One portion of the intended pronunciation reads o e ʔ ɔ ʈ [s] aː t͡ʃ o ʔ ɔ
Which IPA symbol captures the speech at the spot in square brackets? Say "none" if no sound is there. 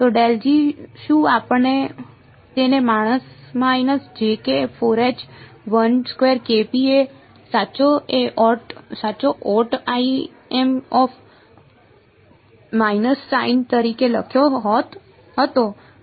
s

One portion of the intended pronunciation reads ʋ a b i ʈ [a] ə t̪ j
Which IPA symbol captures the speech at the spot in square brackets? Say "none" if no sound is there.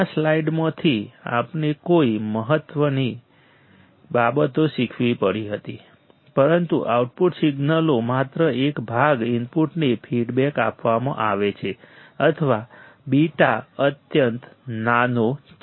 a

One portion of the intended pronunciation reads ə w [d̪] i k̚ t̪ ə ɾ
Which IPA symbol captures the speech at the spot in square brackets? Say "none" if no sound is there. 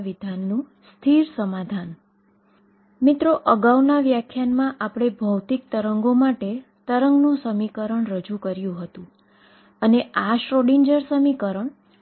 t̪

